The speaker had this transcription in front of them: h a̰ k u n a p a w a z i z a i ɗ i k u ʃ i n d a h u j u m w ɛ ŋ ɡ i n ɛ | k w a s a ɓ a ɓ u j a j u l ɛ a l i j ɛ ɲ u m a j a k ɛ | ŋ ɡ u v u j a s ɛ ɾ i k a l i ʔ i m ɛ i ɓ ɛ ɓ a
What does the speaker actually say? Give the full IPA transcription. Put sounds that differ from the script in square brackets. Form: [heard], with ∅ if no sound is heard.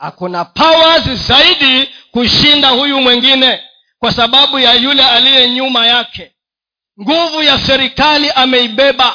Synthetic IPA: h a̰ k u n a p a w a z i z a i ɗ i k u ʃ i n d a h u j u m w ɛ ŋ ɡ i n ɛ | k w a s a ɓ a ɓ u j a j u l ɛ a l i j ɛ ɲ u m a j a k ɛ | ŋ ɡ u v u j a s ɛ ɾ i k a l i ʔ [a] m ɛ i ɓ ɛ ɓ a